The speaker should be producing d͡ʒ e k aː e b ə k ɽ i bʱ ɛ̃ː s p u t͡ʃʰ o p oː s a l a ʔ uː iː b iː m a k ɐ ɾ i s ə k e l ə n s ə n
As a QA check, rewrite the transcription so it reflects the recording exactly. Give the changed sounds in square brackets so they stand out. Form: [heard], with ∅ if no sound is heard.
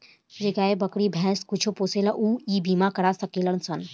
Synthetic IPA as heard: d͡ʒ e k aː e b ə k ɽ i bʱ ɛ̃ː s [k] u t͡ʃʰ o p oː s [e] l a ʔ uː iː b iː m a k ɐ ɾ [a] s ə k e l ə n s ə n